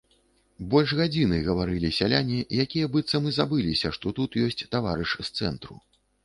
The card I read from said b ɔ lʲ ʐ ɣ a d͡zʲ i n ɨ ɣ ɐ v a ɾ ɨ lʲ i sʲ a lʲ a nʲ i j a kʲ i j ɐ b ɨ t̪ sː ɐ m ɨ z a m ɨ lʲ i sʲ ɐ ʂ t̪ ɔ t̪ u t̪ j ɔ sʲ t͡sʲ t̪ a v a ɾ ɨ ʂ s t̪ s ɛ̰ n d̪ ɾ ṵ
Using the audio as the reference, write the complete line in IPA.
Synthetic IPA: b ɔ lʲ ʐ ɣ a d͡zʲ i n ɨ ɣ ɐ v a ɾ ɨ lʲ i sʲ a lʲ a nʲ i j a kʲ i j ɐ b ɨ t̪ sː ɐ m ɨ z a b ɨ lʲ i sʲ ɐ ʂ t̪ ɔ t̪ u t̪ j ɔ sʲ t͡sʲ t̪ a v a ɾ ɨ ʂ s t̪ s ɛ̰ n t̪ ɾ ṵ